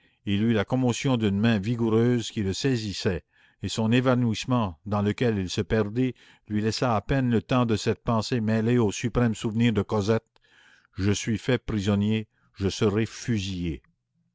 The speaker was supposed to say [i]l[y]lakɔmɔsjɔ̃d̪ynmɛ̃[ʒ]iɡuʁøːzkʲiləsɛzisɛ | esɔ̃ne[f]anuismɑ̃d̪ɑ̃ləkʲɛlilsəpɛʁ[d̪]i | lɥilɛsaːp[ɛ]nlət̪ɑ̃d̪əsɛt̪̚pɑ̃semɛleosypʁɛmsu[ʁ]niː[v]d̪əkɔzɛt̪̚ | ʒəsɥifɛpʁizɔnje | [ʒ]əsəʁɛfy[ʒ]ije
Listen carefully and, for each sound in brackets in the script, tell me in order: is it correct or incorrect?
correct, correct, incorrect: v, incorrect: v, correct, correct, incorrect: v, incorrect: ʁ, correct, incorrect: z

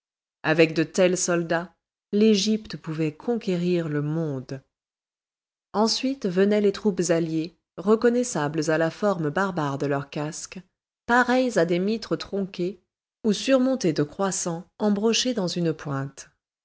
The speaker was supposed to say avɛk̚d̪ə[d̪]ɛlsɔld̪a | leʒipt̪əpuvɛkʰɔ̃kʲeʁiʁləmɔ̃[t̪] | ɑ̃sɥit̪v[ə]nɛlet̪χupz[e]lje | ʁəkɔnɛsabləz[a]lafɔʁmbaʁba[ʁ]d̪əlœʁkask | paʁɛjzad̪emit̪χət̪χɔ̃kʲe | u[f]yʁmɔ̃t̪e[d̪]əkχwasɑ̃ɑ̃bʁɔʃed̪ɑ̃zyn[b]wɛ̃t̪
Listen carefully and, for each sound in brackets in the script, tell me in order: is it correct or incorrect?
incorrect: t̪, incorrect: d̪, correct, incorrect: a, correct, correct, incorrect: s, correct, incorrect: p

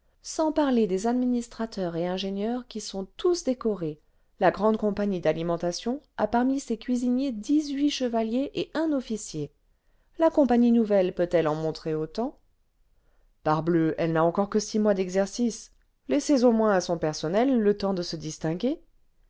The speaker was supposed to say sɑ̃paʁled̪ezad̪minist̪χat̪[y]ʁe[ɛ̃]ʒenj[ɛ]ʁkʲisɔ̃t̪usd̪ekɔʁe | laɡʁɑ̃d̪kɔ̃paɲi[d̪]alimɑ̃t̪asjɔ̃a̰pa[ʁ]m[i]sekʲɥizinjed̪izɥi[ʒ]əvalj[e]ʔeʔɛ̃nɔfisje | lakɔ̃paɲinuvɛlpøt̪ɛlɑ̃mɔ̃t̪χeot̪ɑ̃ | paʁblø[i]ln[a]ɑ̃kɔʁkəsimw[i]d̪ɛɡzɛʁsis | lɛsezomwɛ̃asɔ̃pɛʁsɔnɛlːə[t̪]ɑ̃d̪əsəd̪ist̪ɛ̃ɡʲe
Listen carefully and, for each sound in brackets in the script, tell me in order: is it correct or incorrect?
incorrect: œ, correct, incorrect: œ, correct, correct, correct, incorrect: ʃ, correct, incorrect: ɛ, correct, incorrect: a, correct

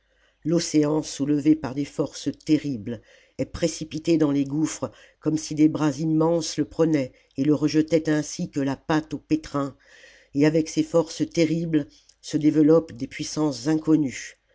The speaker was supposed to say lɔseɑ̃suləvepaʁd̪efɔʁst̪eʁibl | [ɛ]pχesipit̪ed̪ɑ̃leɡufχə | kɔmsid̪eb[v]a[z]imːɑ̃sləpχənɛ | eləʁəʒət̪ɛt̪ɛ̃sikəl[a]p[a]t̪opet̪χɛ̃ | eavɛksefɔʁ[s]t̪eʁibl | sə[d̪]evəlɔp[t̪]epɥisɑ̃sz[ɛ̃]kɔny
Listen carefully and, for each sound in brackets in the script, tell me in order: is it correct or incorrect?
correct, incorrect: ʁ, correct, correct, correct, correct, correct, incorrect: d̪, correct

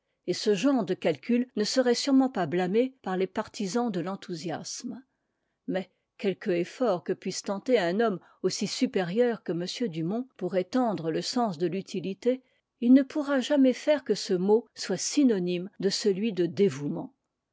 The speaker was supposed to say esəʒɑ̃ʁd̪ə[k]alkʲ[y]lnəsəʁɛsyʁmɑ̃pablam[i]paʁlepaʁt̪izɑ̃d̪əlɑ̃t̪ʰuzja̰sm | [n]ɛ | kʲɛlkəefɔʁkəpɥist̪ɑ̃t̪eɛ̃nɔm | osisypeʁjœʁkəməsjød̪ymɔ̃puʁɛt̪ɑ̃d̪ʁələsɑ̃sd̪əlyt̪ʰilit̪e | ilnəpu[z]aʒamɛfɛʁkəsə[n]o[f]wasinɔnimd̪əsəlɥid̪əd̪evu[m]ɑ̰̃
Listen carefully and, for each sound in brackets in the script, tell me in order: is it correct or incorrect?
correct, correct, incorrect: e, incorrect: m, incorrect: ʁ, incorrect: m, incorrect: s, correct

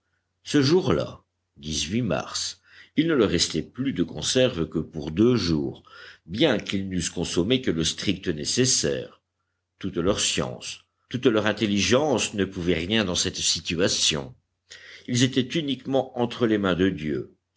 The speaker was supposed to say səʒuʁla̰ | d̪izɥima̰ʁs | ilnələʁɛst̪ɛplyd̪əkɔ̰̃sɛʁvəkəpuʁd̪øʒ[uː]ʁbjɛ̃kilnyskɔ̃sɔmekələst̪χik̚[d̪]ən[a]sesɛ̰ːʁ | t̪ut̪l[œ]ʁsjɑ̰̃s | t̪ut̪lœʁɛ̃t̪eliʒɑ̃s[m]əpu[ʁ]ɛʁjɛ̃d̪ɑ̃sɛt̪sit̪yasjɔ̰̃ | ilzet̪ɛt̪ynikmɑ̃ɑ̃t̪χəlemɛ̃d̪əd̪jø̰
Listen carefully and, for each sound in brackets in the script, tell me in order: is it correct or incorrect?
correct, incorrect: t̪, incorrect: e, correct, incorrect: n, incorrect: v

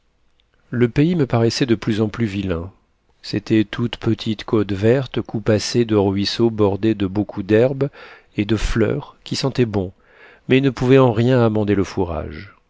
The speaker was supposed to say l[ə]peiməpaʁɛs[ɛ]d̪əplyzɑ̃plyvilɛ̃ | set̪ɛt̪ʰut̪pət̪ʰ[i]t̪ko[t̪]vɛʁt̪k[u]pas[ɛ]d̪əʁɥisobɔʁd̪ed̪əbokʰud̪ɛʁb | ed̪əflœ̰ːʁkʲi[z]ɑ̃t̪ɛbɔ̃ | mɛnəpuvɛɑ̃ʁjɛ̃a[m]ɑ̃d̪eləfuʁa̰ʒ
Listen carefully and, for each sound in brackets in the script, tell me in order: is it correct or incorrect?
correct, correct, correct, correct, correct, incorrect: e, incorrect: s, correct

